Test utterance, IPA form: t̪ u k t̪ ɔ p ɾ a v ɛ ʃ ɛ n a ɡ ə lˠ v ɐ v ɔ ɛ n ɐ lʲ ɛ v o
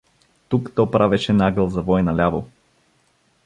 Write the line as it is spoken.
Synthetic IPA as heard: t̪ u k t̪ ɔ p ɾ a v ɛ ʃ ɛ n a ɡ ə lˠ z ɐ v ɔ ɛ n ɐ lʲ a v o